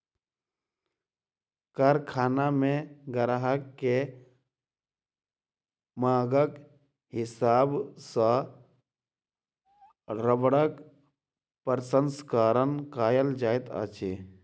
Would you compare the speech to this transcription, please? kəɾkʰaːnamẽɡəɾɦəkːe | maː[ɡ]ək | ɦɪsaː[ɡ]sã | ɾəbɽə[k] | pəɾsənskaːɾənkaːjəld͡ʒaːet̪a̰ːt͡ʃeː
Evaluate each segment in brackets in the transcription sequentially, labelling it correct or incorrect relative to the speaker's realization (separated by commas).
correct, incorrect, correct